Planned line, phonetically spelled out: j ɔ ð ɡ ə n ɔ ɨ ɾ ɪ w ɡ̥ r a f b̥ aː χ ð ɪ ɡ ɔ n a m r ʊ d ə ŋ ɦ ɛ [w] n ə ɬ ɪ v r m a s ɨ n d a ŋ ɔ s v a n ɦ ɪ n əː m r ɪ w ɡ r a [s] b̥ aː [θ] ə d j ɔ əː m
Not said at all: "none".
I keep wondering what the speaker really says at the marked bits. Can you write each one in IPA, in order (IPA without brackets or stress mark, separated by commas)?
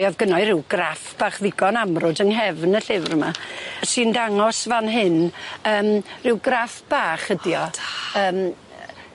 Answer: v, f, χ